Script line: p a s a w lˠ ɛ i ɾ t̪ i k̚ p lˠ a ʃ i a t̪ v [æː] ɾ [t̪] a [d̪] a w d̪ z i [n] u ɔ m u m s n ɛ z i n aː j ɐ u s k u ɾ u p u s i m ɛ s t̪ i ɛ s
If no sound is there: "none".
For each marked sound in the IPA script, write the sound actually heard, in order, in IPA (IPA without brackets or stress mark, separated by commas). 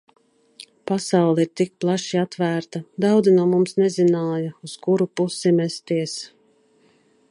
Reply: æː, t̪, d̪, n